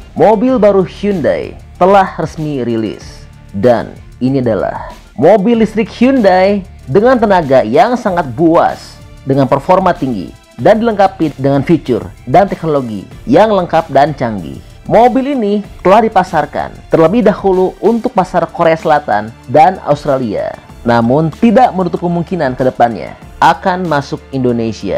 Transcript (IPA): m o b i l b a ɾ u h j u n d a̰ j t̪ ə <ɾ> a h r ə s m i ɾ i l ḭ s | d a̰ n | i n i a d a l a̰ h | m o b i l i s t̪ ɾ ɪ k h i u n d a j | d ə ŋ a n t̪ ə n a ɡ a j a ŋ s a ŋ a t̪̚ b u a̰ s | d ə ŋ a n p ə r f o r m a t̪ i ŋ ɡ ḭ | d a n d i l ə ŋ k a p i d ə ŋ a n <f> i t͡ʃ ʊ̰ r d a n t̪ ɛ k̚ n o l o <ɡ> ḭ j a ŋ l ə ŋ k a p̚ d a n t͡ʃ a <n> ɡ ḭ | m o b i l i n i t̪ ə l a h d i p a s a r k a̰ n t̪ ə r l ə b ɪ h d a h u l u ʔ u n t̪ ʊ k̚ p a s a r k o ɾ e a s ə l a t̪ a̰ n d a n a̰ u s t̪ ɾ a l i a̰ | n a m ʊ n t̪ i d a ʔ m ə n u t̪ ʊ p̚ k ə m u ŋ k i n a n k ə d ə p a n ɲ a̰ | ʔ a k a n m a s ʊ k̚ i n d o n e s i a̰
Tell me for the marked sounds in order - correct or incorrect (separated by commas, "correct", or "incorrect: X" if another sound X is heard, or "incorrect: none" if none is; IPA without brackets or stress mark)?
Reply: incorrect: l, correct, correct, incorrect: ŋ